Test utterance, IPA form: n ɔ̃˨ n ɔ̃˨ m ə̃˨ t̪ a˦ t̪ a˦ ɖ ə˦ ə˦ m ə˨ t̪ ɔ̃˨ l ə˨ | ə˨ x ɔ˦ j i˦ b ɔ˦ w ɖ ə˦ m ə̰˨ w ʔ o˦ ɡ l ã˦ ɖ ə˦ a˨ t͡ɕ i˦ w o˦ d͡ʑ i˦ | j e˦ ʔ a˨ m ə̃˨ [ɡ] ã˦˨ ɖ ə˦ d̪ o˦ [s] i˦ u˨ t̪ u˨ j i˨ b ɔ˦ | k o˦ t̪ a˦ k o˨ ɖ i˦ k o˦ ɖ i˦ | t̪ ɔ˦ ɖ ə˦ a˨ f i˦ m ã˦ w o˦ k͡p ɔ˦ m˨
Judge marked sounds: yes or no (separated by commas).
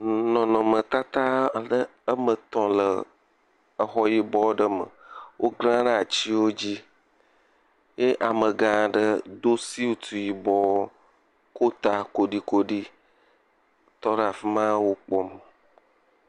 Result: yes, yes